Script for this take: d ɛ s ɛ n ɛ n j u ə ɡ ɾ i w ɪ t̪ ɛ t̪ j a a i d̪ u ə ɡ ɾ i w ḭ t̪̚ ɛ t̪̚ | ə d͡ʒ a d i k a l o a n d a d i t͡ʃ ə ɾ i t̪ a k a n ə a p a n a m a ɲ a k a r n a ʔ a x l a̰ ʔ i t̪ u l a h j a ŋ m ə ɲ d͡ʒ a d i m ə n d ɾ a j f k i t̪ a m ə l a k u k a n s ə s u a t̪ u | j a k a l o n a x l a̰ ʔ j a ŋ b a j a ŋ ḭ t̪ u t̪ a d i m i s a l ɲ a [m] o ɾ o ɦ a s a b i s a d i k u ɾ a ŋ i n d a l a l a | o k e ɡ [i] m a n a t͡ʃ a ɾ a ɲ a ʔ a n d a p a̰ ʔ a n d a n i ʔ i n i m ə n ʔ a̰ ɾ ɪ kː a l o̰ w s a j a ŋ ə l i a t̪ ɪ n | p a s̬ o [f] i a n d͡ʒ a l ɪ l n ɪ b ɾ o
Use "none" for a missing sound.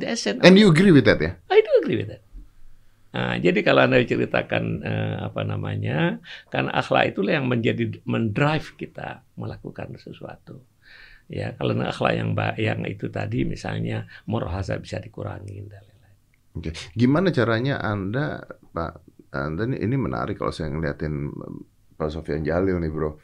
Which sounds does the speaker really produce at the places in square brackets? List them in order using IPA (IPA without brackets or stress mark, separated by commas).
m, i, f